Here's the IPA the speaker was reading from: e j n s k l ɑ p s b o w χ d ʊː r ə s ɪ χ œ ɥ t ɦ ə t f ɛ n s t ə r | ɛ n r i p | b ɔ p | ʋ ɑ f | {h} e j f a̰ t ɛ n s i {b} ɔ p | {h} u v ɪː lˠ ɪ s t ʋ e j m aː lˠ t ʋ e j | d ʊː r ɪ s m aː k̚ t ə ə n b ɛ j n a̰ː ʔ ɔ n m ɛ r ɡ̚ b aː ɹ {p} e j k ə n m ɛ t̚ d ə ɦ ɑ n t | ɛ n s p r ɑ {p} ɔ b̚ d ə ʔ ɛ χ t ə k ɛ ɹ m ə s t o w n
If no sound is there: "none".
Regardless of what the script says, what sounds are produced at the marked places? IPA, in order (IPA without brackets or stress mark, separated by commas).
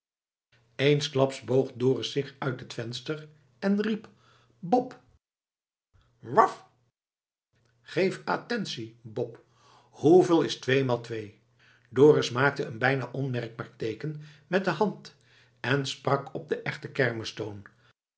χ, b, h, t, k